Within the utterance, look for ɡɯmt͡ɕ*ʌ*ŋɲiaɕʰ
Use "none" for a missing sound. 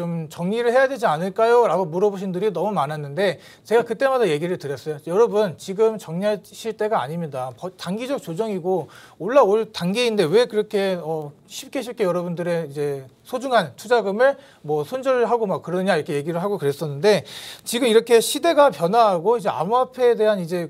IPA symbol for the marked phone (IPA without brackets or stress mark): ʌ